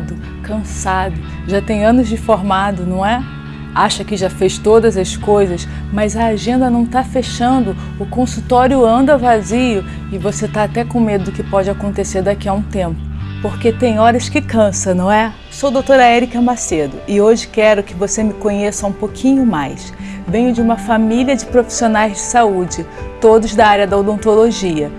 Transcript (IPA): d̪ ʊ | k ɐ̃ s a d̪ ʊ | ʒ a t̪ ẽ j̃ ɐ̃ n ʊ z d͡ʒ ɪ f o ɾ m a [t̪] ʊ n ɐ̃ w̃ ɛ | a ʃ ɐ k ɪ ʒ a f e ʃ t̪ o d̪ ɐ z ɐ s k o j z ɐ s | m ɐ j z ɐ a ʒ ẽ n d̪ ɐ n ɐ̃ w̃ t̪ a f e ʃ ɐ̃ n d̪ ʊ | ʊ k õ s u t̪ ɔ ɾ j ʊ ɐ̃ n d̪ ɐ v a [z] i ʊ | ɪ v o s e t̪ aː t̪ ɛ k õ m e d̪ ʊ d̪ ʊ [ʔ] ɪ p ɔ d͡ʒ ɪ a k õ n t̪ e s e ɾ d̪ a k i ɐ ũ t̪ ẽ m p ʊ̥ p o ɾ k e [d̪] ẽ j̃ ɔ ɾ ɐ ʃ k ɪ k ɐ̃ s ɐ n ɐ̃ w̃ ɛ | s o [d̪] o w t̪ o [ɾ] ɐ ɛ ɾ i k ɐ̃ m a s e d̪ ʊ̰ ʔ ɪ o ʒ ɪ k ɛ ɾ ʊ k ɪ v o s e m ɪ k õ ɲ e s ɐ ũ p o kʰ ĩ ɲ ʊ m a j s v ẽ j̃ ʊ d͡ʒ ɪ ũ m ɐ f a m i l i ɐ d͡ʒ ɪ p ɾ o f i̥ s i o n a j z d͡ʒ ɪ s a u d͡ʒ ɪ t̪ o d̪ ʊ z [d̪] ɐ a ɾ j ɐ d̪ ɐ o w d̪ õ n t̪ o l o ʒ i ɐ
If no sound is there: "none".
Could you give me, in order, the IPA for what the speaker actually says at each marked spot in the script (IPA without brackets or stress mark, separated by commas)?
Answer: d̪, z, k, t̪, d̪, ɾ, d̪